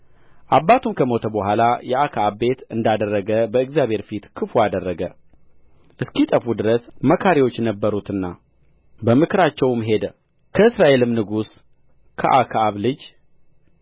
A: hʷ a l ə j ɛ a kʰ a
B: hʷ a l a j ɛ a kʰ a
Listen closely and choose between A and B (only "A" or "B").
B